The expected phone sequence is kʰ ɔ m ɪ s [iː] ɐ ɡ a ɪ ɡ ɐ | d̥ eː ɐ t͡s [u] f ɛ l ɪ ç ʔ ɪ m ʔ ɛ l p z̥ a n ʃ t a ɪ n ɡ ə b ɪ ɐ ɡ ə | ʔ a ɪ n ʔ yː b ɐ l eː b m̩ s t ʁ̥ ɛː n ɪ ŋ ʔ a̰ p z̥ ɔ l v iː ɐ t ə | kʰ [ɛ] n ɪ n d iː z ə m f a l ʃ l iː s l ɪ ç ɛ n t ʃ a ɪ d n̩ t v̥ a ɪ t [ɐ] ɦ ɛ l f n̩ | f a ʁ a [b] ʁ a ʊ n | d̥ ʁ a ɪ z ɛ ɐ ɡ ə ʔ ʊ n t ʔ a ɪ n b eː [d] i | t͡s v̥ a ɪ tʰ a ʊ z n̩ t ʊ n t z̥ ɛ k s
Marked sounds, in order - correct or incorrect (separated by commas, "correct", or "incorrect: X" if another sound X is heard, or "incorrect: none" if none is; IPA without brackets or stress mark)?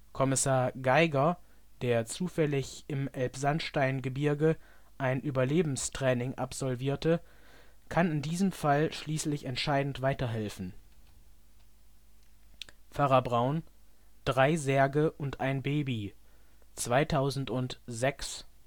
incorrect: aː, incorrect: uː, incorrect: a, correct, correct, incorrect: b